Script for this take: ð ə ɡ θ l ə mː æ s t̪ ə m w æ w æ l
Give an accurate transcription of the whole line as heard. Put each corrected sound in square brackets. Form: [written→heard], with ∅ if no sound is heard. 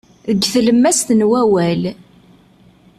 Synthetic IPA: ð ə ɡ θ l ə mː æ s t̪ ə [m→n] w æ w æ l